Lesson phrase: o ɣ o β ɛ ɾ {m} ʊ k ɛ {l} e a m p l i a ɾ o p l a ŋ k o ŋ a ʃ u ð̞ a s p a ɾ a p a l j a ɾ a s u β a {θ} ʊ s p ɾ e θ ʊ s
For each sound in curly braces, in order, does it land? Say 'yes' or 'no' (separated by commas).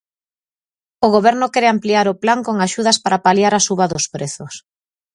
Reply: no, no, no